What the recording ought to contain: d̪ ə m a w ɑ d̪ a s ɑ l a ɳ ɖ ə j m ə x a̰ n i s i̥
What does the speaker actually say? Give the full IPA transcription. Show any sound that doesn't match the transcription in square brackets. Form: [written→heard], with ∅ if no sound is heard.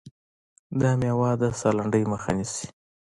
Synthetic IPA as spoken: d̪ [ə→ɑ] m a w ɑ d̪ a s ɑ l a ɳ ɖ ə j m ə x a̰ n i s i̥